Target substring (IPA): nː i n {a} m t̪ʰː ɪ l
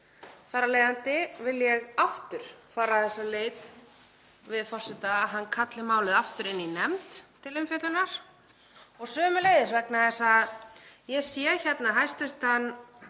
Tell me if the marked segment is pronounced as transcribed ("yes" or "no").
no